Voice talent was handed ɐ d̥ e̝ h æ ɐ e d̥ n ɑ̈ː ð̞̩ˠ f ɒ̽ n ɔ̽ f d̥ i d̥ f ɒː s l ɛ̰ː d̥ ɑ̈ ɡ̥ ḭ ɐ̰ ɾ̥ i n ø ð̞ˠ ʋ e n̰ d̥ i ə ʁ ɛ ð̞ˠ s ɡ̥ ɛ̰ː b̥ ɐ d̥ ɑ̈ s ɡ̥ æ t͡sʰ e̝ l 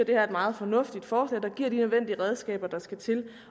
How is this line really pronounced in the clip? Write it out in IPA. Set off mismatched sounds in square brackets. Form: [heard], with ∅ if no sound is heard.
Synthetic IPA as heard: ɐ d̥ e̝ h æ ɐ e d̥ [m] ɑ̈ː ð̞̩ˠ f ɒ̽ n ɔ̽ f d̥ i d̥ f ɒː s l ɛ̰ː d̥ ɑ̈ ɡ̥ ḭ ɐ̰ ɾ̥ i n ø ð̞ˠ ʋ e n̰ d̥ i ə ʁ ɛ ð̞ˠ s ɡ̥ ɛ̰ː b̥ ɐ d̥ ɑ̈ s ɡ̥ æ t͡sʰ e̝ l